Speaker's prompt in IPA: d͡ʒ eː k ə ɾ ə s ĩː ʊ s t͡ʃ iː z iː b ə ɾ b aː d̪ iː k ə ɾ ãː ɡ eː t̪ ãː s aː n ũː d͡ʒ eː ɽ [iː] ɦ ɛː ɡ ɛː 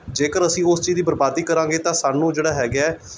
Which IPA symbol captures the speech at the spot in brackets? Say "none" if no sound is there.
aː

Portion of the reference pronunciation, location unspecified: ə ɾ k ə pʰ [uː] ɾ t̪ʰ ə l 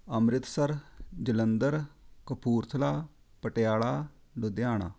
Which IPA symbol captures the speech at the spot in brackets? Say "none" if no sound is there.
uː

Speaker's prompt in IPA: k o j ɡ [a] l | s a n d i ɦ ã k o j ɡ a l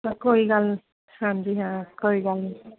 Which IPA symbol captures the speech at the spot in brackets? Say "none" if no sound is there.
a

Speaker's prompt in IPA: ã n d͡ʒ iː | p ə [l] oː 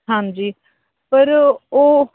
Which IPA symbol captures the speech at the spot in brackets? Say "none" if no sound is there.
ɾ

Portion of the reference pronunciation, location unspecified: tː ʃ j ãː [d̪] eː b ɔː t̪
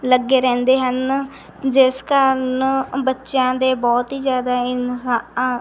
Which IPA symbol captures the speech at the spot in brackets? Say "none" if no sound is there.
d̪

